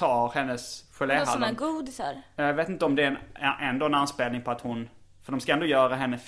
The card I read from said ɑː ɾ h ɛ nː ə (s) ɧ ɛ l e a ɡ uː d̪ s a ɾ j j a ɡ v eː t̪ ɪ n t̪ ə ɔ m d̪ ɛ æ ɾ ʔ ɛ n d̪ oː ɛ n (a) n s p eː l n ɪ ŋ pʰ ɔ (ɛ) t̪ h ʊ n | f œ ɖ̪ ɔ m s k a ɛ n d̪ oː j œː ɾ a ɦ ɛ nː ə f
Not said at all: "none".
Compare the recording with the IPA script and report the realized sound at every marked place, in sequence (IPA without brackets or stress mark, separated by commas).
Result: s, a, a